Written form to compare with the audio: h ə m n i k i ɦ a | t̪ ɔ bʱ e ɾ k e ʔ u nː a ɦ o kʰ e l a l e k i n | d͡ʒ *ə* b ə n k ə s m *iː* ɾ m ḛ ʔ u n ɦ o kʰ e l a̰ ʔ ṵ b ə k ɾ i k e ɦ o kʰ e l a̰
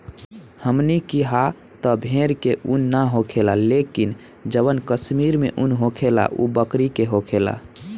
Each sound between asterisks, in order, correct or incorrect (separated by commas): correct, incorrect